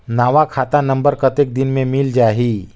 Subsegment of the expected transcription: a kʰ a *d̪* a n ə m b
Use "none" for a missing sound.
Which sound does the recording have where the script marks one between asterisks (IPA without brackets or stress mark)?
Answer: t̪